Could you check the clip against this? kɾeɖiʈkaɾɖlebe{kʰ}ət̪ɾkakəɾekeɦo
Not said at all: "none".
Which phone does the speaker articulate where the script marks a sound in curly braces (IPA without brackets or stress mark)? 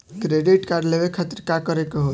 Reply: kʰ